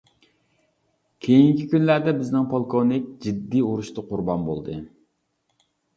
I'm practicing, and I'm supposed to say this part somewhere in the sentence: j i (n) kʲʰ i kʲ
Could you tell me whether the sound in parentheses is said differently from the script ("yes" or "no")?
yes